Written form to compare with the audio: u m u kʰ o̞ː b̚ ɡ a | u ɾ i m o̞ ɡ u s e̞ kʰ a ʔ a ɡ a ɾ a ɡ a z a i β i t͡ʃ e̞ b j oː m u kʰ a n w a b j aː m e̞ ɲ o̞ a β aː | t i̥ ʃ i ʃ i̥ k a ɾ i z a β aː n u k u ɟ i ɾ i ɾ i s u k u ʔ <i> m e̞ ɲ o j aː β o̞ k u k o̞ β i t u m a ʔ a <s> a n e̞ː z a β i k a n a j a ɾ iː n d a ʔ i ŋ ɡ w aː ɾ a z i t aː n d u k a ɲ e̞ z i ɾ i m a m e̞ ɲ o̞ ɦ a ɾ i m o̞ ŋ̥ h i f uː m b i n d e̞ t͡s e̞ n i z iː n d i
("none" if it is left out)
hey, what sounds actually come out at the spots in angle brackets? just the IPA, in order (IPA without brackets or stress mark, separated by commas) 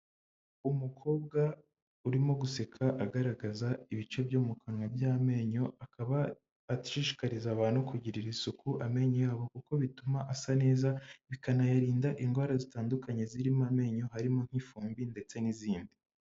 a, s